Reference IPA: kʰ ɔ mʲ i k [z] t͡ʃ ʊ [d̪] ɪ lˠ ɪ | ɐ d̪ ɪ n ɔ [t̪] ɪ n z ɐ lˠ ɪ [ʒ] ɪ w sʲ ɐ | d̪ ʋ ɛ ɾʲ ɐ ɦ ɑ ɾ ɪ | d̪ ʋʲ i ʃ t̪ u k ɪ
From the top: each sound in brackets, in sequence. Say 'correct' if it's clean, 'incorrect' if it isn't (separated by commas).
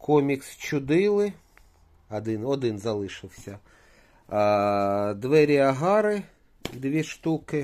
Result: incorrect, correct, incorrect, incorrect